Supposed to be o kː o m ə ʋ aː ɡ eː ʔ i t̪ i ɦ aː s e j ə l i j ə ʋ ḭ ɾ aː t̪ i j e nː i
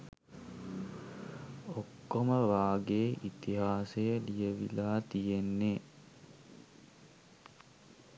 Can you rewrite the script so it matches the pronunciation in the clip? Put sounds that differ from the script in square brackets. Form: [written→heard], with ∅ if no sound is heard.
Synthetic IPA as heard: o kː o m ə ʋ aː ɡ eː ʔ i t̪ i ɦ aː s e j ə l i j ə ʋ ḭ [ɾ→l] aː t̪ i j e nː [i→e]